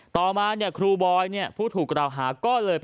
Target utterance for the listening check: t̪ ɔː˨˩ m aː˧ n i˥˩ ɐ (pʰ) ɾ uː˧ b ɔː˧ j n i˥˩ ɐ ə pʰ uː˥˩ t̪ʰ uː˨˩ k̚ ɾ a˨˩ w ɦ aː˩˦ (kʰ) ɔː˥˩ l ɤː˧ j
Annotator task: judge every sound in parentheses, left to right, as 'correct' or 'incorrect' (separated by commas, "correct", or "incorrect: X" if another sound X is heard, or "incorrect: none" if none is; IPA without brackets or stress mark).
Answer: incorrect: kʰ, incorrect: k